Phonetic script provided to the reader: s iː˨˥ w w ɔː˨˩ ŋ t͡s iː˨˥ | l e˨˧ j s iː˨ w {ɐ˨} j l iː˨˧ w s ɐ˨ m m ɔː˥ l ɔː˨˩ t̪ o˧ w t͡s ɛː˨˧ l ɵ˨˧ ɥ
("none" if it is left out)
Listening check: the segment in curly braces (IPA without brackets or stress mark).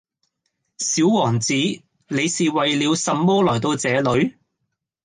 ɐ˨